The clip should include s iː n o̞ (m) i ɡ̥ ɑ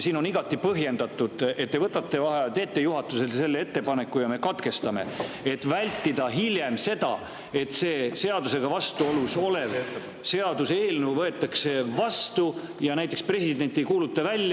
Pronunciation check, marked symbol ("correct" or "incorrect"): incorrect